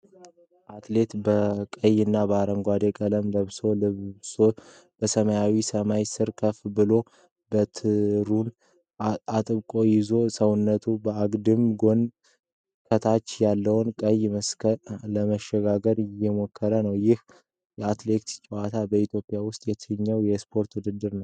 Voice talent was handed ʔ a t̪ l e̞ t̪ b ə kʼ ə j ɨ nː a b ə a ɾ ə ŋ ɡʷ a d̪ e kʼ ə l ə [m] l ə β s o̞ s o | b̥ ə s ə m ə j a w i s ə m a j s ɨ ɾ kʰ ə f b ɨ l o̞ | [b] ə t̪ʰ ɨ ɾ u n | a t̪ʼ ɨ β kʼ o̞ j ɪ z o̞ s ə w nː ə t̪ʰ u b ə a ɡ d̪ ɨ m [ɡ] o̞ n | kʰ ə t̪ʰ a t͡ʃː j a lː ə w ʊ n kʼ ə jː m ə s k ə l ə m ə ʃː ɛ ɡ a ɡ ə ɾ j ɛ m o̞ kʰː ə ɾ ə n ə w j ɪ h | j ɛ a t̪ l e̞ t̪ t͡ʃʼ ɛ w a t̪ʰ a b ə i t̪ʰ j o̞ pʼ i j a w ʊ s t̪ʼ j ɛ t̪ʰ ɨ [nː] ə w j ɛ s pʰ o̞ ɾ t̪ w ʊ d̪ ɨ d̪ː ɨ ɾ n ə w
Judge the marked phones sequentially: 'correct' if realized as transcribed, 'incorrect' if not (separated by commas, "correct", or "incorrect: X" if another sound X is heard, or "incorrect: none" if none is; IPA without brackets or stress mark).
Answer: correct, correct, correct, incorrect: ɲː